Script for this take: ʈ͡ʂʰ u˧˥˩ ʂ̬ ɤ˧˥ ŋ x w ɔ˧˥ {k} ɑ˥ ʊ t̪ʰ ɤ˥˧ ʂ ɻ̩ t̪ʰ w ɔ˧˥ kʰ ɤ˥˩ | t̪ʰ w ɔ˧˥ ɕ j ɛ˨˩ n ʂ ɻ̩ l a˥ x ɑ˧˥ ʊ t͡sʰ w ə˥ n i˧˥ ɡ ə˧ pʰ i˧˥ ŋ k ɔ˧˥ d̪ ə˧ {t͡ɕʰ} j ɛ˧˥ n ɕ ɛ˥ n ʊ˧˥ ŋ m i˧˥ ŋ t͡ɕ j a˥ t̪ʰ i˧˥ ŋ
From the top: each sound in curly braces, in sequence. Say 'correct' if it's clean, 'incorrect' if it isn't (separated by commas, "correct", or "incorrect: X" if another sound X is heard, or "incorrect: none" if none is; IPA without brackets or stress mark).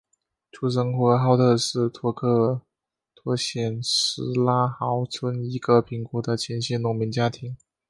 incorrect: x, correct